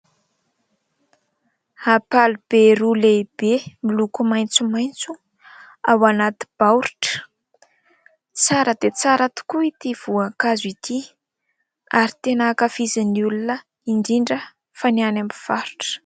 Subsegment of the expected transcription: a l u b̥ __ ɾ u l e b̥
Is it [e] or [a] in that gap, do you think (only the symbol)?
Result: e